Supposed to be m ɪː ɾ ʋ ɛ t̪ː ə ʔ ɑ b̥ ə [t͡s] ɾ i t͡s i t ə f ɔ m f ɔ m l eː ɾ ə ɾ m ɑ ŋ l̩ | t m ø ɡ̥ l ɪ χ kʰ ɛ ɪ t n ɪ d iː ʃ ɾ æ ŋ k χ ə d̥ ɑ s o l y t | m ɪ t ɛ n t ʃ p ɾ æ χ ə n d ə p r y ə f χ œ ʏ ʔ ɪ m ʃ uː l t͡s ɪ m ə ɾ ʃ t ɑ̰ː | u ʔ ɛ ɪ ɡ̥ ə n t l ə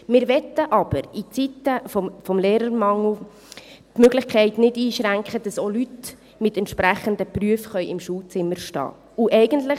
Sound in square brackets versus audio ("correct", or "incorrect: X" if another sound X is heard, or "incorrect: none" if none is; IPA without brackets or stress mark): incorrect: none